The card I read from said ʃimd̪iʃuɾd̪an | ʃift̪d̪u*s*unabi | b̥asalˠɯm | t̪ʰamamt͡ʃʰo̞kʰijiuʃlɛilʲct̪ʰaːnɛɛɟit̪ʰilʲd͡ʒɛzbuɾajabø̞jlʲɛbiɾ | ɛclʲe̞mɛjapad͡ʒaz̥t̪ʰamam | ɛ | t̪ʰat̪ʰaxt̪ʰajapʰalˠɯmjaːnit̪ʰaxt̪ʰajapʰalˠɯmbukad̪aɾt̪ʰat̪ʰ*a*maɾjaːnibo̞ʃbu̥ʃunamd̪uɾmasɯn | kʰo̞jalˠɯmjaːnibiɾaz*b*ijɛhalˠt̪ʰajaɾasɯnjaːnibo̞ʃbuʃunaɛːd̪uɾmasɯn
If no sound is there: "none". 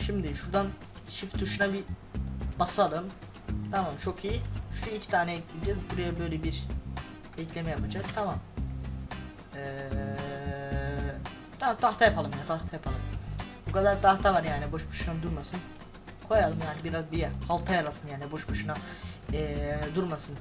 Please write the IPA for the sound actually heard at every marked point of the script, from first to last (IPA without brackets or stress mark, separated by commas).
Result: ʃ, a, b